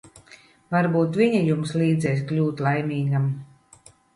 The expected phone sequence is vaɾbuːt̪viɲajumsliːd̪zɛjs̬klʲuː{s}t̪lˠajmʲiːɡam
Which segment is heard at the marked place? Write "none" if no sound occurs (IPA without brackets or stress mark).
none